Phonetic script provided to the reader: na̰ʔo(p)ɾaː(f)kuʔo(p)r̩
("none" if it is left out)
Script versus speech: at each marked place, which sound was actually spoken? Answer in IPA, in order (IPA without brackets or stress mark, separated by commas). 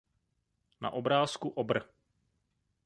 b, s, b